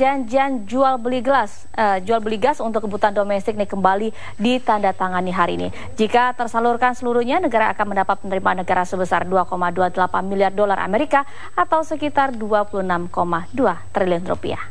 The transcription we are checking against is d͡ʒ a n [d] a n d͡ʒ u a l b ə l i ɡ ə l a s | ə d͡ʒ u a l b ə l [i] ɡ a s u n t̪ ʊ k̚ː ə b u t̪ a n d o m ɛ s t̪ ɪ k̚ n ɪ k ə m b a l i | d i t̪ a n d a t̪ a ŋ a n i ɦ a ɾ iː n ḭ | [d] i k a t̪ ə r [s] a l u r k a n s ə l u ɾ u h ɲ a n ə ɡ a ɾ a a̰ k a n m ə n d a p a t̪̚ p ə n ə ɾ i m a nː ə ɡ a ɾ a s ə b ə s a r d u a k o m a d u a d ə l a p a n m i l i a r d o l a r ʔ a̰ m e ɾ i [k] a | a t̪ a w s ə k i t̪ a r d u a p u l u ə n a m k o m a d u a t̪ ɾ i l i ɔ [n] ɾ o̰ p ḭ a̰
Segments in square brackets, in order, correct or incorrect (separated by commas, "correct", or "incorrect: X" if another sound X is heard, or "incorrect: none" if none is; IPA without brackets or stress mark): incorrect: d͡ʒ, correct, incorrect: d͡ʒ, correct, correct, correct